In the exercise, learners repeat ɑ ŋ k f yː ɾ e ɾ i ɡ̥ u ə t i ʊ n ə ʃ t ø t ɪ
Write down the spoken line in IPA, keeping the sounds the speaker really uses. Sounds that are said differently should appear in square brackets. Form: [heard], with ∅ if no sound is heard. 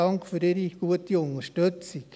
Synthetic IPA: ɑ ŋ k f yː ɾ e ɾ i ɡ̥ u ə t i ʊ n ə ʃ t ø [t͡s] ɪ